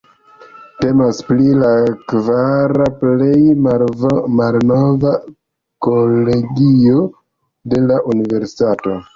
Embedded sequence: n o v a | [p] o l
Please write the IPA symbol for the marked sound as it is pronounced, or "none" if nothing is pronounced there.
k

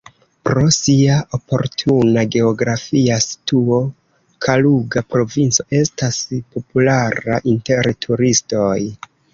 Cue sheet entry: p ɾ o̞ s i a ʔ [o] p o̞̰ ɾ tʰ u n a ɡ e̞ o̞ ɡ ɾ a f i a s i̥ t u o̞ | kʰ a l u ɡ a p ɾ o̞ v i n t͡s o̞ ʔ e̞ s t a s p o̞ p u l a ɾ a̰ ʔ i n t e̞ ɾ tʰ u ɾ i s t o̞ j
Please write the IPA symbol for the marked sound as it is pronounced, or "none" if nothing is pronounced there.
o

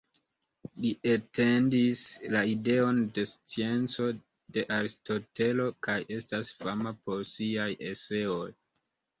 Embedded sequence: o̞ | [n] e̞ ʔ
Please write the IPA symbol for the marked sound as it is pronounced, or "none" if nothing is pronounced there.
d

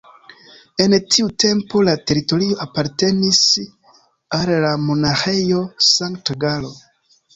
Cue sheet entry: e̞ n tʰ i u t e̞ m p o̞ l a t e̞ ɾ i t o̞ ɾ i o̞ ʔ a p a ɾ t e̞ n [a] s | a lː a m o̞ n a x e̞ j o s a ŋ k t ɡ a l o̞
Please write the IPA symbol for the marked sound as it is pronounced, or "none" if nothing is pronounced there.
i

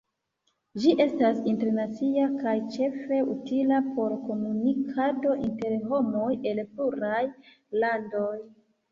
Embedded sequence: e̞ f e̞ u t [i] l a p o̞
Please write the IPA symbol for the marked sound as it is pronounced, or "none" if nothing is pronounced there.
i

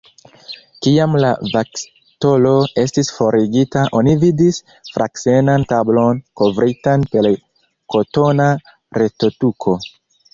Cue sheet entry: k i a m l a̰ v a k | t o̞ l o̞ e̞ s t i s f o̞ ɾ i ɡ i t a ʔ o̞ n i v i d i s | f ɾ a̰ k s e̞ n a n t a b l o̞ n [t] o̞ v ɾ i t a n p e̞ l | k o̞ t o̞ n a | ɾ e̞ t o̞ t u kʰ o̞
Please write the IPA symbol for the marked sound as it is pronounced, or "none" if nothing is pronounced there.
k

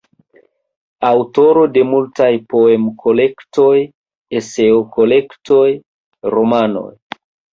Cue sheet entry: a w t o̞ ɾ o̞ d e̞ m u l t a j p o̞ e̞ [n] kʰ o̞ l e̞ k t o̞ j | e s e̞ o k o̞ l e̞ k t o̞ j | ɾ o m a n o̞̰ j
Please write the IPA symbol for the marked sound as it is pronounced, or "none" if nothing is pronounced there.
m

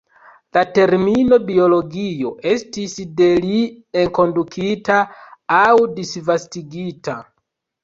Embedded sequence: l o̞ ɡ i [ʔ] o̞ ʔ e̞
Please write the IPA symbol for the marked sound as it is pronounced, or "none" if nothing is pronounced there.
none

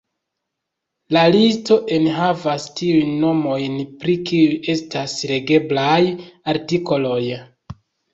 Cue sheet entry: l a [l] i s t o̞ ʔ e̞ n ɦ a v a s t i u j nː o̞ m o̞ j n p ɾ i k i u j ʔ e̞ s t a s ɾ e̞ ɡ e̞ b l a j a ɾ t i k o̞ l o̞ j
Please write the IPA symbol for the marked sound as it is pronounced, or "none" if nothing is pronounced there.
l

